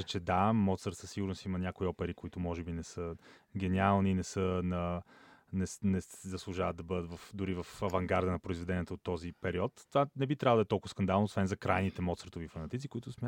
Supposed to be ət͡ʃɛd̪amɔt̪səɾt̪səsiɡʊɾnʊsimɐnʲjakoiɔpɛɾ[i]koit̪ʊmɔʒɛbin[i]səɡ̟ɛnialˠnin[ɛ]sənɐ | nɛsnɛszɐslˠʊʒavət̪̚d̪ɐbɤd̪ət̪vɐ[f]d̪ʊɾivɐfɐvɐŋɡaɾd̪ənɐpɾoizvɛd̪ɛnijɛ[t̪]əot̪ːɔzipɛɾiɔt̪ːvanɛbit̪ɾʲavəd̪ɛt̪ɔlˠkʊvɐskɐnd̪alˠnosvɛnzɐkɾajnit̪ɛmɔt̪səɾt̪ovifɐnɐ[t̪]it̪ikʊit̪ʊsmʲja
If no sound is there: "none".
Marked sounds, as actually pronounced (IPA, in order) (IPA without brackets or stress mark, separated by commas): i, ɛ, ɛ, f, t̪, t̪